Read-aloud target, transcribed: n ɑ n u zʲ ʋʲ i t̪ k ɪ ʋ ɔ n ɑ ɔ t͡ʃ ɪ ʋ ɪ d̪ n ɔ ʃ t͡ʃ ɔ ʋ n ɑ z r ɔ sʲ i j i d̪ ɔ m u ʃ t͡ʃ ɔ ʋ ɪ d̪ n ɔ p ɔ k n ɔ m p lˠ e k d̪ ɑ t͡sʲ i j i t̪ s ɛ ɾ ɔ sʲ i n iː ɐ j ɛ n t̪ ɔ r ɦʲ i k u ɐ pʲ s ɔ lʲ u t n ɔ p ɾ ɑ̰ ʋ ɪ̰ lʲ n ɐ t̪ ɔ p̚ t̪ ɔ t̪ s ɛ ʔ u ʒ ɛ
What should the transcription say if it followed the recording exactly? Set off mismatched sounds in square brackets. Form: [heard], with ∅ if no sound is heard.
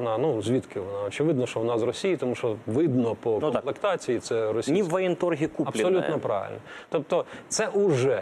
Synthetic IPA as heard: n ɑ n u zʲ ʋʲ i t̪ k ɪ ʋ ɔ n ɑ ɔ t͡ʃ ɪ ʋ ɪ d̪ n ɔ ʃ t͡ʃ ɔ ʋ n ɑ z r ɔ sʲ i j i [t̪] ɔ m u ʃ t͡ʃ ɔ ʋ ɪ d̪ n ɔ p ɔ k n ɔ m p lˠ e k [t̪] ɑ t͡sʲ i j i t̪ s ɛ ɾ ɔ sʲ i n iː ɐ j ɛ n t̪ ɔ r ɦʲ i k u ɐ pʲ s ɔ lʲ u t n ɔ p ɾ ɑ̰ ʋ ɪ̰ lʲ n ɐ t̪ ɔ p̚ t̪ ɔ t̪ s ɛ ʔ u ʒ ɛ